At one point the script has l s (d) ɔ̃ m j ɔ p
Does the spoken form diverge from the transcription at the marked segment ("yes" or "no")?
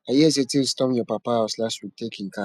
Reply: yes